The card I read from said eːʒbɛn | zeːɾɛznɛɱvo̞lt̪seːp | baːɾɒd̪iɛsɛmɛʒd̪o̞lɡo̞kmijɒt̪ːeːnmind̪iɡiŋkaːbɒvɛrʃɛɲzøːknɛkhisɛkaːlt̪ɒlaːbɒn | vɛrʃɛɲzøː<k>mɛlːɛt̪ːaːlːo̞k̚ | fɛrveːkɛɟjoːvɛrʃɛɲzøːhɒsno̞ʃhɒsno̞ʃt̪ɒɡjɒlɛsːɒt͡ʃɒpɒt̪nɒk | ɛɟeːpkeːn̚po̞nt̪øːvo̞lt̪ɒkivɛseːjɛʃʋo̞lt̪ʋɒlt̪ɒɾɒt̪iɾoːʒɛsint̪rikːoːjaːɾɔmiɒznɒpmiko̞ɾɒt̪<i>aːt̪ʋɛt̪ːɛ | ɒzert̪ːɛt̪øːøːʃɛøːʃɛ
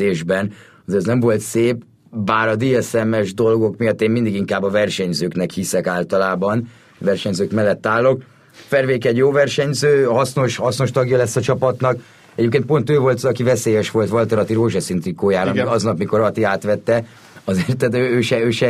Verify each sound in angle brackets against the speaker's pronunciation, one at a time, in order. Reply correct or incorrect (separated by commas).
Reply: correct, correct